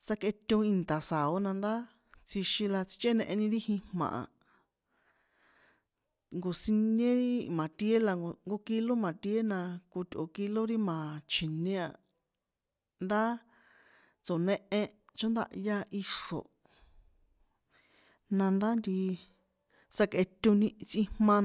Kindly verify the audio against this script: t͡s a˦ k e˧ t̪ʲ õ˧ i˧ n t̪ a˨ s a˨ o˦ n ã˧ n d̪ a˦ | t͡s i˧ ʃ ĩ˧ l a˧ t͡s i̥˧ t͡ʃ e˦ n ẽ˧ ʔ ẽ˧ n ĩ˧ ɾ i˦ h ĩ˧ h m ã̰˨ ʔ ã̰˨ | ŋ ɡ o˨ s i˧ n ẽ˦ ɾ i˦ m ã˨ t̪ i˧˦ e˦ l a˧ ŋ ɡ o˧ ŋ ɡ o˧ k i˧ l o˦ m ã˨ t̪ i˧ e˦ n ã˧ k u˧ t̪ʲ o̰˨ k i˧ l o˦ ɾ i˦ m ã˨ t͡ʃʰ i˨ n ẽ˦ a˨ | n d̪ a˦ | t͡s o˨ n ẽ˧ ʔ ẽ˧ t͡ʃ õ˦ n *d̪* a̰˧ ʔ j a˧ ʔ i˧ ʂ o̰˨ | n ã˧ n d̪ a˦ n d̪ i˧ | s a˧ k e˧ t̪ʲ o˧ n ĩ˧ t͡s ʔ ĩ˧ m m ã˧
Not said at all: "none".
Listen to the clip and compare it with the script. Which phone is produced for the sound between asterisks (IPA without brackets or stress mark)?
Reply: d̪